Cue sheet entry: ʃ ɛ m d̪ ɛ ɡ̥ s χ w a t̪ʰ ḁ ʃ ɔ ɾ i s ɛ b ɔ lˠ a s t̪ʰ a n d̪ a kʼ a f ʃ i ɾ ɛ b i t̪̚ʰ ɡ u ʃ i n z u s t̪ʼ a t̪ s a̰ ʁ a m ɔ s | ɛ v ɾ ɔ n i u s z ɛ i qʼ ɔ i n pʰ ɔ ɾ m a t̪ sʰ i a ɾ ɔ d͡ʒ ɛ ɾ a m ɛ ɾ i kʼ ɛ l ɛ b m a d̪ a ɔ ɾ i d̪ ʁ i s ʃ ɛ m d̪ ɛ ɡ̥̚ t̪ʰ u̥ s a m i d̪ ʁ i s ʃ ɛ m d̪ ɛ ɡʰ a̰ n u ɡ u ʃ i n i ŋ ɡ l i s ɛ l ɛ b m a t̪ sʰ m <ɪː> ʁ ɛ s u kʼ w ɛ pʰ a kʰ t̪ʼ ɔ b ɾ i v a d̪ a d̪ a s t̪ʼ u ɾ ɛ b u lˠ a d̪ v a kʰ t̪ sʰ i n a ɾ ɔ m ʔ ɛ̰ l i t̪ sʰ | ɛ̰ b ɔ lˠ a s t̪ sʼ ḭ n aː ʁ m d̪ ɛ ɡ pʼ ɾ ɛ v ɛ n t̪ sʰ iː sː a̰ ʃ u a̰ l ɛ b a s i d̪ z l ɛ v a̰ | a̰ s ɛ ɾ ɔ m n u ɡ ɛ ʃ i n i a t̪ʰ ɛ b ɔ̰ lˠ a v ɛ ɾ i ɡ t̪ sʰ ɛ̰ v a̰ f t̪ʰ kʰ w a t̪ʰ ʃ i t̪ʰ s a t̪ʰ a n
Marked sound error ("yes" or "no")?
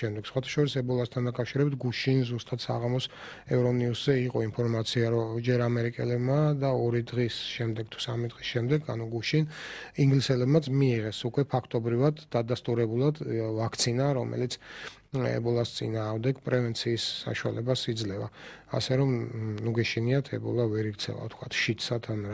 yes